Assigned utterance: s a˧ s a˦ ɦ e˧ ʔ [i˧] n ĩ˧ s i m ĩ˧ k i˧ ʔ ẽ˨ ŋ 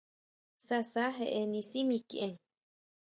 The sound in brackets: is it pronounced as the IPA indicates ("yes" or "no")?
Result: no